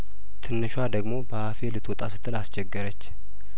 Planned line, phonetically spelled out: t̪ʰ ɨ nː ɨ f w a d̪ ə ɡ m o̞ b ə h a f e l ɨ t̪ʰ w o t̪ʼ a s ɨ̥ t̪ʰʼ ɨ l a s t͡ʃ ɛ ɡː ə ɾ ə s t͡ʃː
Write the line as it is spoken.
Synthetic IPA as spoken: t̪ʰ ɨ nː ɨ ʃ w a d̪ ə ɡ m o̞ b ə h a f e l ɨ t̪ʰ w ɔ t̪ʼ a s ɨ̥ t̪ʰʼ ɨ l a s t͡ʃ ɛ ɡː ə ɾ ə t͡ʃː